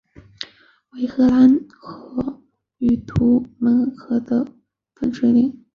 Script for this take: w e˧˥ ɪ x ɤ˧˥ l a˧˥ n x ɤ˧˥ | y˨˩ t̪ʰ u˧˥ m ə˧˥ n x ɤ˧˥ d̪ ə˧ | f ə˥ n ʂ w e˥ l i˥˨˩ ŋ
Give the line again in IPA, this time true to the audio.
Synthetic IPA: w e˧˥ ɪ x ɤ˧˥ l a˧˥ n x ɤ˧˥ | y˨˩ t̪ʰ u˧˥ m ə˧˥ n x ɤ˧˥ d̪ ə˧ | f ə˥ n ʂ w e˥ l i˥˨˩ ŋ